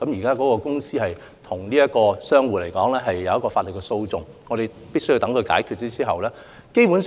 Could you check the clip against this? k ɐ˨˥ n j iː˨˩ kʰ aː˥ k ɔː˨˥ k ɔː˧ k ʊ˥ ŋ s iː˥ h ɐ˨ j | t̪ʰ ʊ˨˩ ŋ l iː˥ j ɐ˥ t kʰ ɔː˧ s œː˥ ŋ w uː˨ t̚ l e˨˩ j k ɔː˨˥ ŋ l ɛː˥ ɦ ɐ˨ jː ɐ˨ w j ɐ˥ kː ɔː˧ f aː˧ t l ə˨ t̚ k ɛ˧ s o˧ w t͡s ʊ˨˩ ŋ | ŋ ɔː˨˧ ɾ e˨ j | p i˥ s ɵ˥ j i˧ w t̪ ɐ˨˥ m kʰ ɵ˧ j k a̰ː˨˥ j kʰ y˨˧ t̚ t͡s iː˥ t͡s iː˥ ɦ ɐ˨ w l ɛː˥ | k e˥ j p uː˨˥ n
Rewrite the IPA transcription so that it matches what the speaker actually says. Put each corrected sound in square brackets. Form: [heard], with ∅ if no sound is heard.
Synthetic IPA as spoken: k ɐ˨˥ [m] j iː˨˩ [k] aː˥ k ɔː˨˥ k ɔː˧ k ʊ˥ ŋ s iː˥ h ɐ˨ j | t̪ʰ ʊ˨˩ ŋ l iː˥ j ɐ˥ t [k] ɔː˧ s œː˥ ŋ w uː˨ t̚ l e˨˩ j k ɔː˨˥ ŋ l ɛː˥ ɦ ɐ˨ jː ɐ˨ w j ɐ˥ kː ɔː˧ f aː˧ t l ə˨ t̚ k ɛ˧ s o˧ w t͡s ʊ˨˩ ŋ | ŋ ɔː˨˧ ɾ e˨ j | p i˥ s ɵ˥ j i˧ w t̪ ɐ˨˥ [ŋ] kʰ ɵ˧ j k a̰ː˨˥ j kʰ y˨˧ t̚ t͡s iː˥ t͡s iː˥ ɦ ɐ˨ w l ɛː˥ | k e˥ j p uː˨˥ n